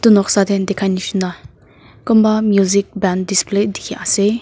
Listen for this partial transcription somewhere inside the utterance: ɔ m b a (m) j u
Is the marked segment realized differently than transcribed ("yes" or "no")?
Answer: no